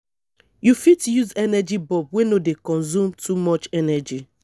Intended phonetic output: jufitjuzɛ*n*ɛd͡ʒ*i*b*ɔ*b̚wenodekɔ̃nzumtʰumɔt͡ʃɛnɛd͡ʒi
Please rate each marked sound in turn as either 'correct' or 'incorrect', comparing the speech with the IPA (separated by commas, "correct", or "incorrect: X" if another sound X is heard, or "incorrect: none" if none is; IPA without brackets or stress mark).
correct, correct, correct